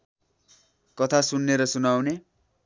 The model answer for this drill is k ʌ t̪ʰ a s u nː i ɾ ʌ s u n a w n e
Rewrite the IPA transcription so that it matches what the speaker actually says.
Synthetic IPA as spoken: k ʌ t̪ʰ a s u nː e ɾ ʌ s u n a w n e